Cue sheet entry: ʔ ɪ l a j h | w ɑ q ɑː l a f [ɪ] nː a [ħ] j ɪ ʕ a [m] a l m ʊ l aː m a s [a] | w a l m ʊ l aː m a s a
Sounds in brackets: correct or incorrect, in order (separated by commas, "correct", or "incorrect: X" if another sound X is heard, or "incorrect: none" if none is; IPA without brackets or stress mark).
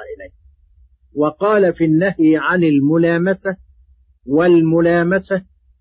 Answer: incorrect: i, incorrect: h, incorrect: n, correct